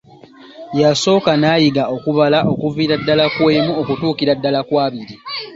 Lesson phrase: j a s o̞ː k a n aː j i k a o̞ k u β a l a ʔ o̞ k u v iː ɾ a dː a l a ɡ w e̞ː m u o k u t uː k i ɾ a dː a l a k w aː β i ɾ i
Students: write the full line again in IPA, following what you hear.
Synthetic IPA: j a s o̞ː k a n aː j i ɡ a o̞ k u β a l a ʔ o̞ k u v iː ɾ a dː a l a k w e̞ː m u o k u t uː k i ɾ a dː a l a k w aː β i ɾ i